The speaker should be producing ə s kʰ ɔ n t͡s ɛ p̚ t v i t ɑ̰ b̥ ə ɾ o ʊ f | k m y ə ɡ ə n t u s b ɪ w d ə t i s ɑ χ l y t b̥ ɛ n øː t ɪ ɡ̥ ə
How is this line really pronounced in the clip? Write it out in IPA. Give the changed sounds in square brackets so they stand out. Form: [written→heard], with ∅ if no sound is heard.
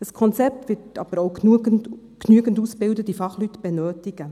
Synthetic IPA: ə s kʰ ɔ n t͡s ɛ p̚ t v [i→ɪ] t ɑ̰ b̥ ə ɾ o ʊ [f→∅] | k [m→n] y ə ɡ ə n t u s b ɪ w d ə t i [s→f] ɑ χ l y t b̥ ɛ n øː t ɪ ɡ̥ ə